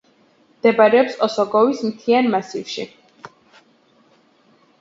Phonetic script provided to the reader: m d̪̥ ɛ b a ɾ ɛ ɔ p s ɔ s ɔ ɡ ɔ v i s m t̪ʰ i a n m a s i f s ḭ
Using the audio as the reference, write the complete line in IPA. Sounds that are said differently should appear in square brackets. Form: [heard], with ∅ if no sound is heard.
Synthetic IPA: m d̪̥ ɛ b a ɾ ɛ ɔ p s ɔ s ɔ ɡ ɔ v i s m t̪ʰ i a n m a s i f [ʃ] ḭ